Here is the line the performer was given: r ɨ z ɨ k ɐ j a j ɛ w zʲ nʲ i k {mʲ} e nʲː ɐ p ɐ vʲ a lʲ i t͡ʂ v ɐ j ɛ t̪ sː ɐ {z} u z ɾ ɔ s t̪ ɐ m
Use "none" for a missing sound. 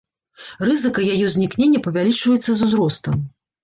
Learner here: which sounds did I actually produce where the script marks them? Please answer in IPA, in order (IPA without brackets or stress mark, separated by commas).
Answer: nʲ, z